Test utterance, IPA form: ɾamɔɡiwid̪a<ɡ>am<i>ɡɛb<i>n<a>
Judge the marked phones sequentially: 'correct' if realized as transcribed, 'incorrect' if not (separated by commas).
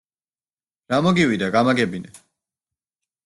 correct, incorrect, correct, incorrect